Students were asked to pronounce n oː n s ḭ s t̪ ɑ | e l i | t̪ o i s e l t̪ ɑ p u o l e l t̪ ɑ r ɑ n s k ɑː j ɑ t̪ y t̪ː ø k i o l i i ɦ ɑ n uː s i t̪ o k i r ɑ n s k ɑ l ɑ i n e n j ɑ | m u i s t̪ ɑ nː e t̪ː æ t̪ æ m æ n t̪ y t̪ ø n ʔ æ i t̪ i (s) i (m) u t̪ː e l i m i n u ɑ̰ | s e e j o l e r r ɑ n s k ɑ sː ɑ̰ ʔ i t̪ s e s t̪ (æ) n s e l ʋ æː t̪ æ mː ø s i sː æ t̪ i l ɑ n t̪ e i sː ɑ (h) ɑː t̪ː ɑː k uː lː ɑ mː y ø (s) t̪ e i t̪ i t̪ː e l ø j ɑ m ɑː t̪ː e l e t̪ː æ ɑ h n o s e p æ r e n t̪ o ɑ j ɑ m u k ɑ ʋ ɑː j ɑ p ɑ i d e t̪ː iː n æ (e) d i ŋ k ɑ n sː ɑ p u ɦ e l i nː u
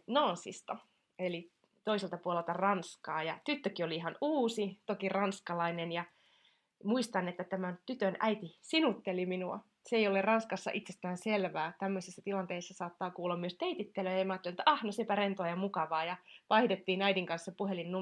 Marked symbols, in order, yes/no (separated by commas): yes, no, no, no, yes, no